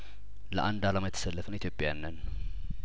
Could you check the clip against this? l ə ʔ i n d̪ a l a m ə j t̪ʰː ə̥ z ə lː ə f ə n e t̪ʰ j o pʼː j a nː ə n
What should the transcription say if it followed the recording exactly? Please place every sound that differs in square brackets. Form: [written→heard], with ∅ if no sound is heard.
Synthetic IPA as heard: l ə ʔ [i→a] n d̪ a l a m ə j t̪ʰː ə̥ [z→s] ə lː ə f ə n [e→i] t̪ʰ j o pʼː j a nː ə n